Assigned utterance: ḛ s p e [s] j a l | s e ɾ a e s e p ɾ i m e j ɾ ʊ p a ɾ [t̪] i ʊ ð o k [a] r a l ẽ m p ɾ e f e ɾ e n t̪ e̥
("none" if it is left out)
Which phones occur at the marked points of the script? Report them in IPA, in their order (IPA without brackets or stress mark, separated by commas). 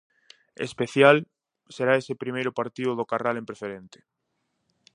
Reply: θ, t̪, a